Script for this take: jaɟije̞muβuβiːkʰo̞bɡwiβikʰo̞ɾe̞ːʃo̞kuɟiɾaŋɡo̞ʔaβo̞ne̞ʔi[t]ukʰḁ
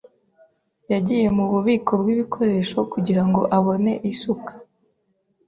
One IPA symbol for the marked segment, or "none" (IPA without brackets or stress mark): s